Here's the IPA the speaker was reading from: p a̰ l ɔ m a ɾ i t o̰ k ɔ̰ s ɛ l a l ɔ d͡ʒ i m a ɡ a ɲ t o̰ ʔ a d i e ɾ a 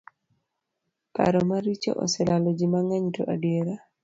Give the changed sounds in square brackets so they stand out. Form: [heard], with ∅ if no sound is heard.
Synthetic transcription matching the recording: p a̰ [ɾ] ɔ m a ɾ i [t͡ʃ] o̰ [ʔ] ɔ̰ s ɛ l a l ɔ d͡ʒ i m a [ŋ] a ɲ t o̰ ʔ a d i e ɾ a